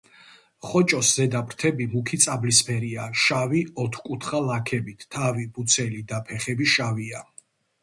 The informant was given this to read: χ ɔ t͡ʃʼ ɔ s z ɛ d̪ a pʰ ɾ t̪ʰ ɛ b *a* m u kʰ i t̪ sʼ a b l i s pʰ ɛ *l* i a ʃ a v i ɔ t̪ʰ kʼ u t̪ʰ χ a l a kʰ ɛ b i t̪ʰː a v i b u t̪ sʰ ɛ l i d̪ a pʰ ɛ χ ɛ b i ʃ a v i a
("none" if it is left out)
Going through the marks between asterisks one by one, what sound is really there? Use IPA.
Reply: i, ɾ

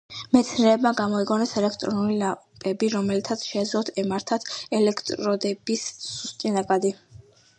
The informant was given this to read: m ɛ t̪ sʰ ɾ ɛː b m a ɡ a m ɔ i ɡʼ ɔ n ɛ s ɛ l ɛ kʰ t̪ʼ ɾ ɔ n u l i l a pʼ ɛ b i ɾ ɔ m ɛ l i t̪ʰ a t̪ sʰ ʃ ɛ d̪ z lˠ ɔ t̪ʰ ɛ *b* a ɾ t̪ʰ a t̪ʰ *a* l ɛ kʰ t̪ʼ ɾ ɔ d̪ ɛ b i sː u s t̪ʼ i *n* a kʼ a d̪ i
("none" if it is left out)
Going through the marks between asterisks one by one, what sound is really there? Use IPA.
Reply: m, ɛ, n

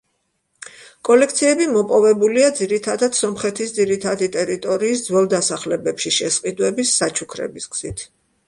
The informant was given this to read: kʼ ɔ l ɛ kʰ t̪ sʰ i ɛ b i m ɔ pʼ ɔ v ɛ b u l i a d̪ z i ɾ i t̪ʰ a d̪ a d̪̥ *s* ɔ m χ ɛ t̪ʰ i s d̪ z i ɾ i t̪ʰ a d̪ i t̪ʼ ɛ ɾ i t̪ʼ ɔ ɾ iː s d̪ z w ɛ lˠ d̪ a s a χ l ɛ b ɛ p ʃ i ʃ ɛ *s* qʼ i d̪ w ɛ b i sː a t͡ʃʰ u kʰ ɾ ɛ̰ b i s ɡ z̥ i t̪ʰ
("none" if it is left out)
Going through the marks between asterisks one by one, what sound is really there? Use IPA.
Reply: s, s

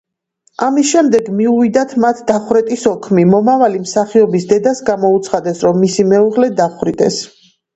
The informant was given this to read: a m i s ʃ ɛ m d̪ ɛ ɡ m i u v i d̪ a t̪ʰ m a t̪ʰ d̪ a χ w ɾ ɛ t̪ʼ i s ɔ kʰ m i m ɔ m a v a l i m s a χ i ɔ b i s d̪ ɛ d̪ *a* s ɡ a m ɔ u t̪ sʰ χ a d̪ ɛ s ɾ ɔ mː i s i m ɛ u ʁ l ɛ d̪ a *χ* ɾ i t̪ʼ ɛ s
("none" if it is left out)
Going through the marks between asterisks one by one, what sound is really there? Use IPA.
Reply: a, χ

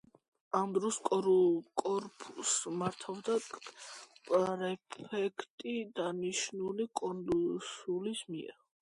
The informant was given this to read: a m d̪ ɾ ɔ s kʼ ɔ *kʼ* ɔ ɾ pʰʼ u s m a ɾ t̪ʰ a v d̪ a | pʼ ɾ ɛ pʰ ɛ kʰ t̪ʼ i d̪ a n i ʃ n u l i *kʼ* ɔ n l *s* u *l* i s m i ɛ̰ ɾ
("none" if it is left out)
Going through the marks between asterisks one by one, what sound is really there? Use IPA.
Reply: kʼ, kʼ, s, l

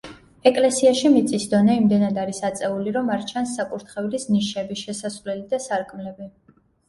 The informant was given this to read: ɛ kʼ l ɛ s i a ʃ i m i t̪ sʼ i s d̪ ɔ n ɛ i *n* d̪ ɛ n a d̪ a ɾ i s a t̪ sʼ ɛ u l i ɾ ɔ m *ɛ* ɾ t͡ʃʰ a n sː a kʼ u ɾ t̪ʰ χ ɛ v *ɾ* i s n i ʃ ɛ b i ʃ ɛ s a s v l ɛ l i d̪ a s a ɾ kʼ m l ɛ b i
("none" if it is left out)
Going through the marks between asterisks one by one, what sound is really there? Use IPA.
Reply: m, a, l

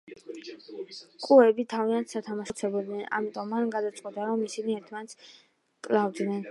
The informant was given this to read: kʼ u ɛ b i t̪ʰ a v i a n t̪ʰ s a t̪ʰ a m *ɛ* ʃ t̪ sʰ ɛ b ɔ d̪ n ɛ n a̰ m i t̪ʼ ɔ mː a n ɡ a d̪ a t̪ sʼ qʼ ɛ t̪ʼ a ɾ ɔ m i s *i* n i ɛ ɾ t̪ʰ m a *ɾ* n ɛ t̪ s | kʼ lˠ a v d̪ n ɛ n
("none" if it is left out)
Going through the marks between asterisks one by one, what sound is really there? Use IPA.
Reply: a, i, none

